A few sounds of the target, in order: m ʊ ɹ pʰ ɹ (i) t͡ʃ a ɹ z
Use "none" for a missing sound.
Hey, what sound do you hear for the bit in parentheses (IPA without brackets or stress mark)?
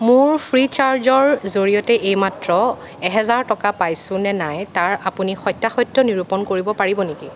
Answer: i